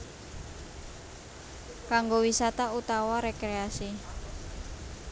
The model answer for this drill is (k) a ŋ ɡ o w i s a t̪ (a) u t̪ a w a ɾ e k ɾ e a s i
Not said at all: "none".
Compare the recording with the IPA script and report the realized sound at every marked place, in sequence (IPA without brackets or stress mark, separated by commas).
k, a